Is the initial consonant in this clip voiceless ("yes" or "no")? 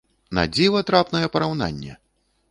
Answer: no